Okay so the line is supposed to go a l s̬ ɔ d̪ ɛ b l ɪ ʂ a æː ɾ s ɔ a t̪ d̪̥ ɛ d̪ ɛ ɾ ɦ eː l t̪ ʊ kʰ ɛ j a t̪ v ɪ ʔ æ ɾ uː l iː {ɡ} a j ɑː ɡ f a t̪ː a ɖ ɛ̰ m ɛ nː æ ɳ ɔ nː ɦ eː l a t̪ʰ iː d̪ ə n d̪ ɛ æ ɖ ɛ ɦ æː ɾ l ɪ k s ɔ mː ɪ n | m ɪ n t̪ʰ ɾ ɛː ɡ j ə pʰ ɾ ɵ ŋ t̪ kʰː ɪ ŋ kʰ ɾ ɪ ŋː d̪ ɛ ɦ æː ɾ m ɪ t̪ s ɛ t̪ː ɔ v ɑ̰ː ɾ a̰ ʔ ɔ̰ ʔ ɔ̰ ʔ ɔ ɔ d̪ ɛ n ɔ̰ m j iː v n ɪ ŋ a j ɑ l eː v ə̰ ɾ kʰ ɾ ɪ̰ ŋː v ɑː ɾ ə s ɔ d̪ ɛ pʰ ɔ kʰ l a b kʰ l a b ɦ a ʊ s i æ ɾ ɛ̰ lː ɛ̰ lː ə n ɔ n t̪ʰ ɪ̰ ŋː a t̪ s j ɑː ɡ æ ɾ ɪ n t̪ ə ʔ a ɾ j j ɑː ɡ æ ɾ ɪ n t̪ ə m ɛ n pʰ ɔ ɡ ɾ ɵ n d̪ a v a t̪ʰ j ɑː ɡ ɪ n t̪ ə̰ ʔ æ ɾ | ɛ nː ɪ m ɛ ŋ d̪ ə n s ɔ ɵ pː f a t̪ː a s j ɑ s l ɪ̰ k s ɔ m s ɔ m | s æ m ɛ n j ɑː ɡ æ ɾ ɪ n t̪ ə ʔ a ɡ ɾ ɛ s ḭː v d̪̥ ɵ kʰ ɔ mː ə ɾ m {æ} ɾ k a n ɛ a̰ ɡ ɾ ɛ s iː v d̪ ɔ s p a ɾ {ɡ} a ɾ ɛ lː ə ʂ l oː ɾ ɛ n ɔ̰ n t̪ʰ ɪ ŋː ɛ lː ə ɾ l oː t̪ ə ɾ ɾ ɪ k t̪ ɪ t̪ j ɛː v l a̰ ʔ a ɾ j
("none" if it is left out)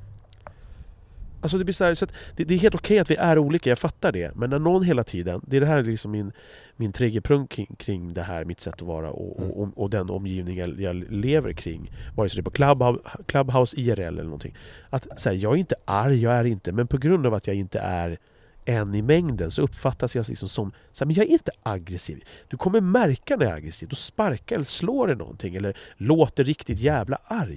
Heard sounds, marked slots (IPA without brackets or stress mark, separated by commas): k, æ, k